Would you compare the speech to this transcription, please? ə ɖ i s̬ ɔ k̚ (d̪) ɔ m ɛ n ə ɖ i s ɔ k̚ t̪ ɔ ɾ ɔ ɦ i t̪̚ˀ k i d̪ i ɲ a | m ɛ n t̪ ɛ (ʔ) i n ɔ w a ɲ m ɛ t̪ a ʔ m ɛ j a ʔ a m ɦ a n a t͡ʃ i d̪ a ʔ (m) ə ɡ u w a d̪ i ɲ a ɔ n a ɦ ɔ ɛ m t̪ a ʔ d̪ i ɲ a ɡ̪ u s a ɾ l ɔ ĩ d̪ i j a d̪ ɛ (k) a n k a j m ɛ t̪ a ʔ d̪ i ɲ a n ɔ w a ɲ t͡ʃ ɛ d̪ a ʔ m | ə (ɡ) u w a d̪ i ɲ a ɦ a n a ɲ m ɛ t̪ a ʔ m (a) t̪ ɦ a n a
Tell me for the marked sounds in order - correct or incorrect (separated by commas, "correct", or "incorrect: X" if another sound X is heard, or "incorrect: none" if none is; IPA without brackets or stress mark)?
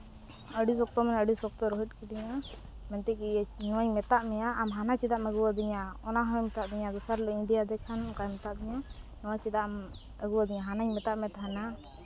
incorrect: t̪, incorrect: k, correct, incorrect: kʰ, correct, incorrect: ɛ